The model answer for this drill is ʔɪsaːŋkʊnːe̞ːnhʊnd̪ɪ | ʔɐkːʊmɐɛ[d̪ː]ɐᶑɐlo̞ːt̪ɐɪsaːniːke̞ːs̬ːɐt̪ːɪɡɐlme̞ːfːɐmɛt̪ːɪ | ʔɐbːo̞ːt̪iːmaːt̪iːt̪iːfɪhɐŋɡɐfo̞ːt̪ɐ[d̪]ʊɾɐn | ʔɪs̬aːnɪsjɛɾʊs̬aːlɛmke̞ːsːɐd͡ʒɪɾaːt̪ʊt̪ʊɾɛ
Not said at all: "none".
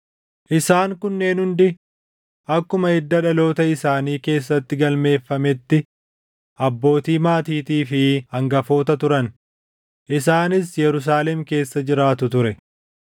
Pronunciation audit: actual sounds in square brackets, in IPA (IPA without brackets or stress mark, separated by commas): d̪ː, t̪